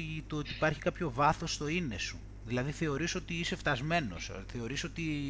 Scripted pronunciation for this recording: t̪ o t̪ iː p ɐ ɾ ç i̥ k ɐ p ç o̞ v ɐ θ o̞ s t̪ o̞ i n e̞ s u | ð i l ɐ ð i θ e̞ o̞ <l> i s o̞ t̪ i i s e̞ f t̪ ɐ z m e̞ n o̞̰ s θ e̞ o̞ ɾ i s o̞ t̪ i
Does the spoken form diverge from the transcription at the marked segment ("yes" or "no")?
yes